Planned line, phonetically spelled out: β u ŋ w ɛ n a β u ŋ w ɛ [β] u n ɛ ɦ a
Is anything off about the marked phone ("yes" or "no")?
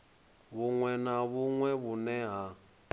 no